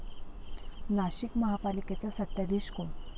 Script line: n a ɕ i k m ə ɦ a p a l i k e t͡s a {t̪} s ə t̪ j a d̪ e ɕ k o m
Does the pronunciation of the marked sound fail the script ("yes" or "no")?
yes